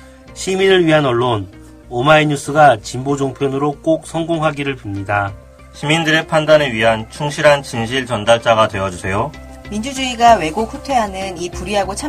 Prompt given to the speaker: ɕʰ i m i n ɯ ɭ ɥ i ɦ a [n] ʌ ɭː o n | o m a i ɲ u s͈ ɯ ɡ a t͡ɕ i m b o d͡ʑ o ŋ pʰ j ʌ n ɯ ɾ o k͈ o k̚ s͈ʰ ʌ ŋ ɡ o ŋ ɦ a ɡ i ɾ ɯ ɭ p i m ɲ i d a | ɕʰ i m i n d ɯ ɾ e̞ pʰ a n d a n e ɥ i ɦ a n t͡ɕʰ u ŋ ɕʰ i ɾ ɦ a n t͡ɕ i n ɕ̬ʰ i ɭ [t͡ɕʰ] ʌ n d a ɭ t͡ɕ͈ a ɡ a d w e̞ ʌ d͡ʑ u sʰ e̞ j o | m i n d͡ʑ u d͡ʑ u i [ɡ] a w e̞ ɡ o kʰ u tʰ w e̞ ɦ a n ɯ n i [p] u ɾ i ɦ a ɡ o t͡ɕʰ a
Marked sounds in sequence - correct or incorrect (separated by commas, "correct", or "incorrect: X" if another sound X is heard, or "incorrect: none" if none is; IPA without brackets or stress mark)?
correct, incorrect: t͡ɕ, correct, correct